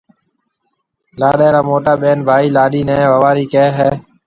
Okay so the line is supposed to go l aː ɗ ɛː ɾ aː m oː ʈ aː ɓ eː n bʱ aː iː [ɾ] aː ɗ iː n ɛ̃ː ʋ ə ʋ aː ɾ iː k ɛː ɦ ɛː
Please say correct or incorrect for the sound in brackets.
incorrect: l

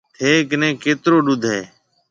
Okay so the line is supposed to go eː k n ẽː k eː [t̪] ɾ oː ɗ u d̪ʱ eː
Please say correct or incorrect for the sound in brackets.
correct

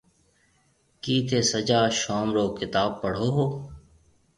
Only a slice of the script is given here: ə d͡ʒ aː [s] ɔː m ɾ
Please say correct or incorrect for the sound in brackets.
incorrect: ʃ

